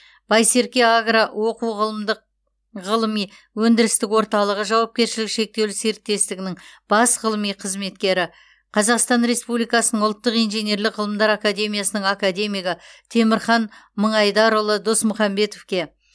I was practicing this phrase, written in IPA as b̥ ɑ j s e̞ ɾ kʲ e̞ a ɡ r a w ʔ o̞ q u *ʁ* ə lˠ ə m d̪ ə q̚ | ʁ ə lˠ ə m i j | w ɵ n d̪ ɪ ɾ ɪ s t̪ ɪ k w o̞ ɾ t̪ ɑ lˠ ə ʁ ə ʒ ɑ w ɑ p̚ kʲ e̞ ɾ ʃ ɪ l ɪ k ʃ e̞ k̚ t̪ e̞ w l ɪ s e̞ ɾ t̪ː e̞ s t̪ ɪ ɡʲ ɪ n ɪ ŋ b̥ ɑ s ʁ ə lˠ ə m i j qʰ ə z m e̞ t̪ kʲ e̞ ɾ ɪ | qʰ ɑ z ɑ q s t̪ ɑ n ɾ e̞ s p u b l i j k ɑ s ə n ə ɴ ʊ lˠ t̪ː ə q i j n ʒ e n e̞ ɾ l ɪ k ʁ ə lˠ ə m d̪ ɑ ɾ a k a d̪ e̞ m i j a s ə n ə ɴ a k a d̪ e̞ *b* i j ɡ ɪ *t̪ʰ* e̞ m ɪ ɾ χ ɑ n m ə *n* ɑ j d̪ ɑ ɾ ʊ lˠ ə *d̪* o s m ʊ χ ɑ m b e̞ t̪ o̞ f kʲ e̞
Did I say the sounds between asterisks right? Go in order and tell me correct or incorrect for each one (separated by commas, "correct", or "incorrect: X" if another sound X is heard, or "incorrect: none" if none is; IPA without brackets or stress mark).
correct, incorrect: m, correct, incorrect: ɴ, correct